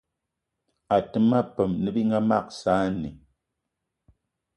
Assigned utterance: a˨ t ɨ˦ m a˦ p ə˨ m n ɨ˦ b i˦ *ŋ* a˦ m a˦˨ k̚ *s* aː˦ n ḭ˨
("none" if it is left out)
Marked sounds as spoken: ŋ, s

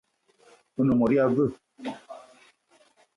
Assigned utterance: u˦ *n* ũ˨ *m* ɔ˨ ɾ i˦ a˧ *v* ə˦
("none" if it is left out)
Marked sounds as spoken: n, m, v

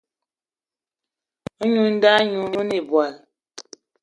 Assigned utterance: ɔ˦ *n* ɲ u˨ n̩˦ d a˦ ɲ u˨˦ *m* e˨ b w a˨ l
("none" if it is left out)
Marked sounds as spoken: none, n

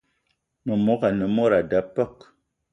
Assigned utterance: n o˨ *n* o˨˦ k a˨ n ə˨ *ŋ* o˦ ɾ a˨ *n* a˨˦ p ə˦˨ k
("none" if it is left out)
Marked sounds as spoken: m, m, d

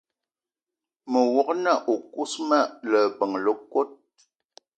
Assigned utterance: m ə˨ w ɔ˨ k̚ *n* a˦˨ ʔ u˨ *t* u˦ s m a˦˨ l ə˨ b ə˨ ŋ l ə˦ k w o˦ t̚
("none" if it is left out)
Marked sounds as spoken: n, k

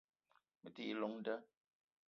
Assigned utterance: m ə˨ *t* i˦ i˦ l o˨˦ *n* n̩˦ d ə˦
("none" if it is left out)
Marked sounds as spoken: t, ŋ

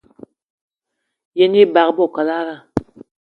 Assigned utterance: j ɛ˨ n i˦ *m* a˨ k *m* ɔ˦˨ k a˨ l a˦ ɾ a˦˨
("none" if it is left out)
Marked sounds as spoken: b, b

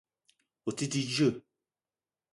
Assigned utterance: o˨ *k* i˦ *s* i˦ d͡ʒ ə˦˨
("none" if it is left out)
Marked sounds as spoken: t, t

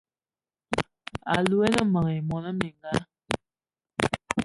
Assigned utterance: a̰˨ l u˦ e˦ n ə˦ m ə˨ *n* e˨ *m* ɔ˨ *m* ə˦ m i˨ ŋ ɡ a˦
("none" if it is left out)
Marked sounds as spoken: ŋ, m, n

